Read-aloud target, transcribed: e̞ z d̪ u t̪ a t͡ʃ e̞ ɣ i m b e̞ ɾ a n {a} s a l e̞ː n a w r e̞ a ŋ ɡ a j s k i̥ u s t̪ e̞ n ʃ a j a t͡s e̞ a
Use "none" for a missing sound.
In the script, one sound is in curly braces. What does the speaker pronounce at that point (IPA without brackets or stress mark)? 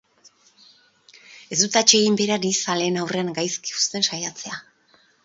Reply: i